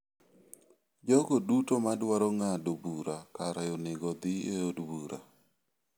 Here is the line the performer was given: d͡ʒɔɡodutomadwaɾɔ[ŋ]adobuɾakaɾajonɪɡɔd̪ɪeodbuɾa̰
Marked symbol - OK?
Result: yes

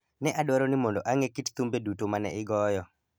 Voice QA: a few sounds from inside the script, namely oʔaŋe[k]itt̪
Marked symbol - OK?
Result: yes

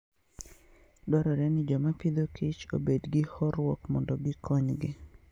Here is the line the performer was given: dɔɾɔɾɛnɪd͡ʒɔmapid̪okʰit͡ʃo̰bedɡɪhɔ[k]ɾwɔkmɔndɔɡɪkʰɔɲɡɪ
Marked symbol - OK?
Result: no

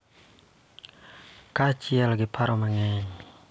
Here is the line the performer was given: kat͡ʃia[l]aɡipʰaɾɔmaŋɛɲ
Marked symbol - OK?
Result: yes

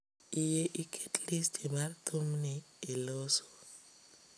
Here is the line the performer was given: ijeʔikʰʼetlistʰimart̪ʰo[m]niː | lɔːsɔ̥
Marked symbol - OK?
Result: yes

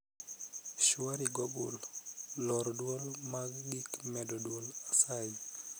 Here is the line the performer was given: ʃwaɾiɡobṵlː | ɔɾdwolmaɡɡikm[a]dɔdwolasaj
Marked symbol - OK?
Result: no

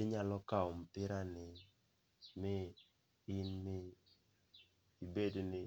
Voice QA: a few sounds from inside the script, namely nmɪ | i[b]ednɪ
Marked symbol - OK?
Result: yes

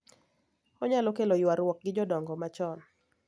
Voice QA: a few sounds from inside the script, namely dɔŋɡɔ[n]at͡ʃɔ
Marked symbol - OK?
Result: no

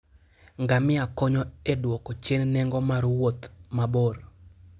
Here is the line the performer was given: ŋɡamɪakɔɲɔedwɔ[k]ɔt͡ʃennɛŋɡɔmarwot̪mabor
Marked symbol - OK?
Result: yes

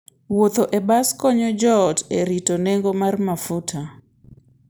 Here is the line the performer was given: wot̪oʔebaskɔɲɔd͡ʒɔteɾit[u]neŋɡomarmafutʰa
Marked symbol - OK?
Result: no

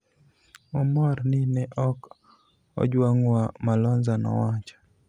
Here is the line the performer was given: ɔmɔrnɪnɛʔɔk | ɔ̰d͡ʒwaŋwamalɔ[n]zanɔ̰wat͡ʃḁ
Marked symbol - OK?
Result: yes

